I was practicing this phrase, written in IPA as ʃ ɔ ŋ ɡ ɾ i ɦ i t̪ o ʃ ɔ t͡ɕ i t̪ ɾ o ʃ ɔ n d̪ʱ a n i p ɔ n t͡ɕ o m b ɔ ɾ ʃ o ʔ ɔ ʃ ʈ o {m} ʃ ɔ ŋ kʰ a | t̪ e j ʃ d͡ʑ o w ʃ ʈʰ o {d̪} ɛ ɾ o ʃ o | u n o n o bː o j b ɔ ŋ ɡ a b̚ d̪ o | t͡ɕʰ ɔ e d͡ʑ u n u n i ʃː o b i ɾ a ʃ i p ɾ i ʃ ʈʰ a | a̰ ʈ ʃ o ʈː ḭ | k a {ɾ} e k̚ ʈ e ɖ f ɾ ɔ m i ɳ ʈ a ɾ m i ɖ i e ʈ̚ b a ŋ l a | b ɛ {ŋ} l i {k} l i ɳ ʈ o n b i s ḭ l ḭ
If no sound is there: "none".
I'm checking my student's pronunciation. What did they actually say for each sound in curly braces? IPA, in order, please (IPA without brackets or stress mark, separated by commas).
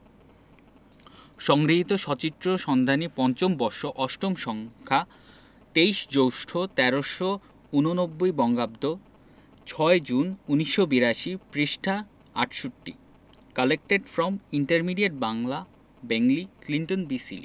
m, t̪, l, ŋ, k